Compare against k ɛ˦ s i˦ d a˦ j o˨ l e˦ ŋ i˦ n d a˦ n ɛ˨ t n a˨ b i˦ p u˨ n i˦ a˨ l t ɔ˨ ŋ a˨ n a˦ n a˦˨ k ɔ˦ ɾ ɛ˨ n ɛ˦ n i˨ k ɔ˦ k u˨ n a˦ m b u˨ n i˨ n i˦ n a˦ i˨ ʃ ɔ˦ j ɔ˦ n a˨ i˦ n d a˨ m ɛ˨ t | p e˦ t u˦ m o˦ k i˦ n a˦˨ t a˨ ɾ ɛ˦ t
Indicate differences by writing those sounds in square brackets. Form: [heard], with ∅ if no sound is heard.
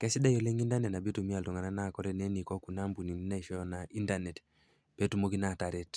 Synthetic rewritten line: k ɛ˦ s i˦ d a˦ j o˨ l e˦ ŋ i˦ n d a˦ n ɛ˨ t n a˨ b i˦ [t] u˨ [m] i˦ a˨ l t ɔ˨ ŋ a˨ n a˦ n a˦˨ k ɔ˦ ɾ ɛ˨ n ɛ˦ n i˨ k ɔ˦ k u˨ n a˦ m b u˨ n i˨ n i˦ n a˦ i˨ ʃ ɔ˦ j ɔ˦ n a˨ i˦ n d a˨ [n] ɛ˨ t | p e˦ t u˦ m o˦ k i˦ n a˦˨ t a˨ ɾ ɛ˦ t